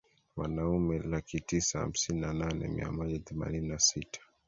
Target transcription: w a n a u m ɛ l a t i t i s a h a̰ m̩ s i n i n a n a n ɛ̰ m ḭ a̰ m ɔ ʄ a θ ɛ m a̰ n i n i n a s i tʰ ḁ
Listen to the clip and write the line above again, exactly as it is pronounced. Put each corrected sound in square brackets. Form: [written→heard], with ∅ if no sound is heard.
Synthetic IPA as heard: w a n a u m ɛ l a [t→k] i t i s a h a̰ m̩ s i n i n a n a n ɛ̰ m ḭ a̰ m ɔ ʄ a θ ɛ m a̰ n i n i n a s i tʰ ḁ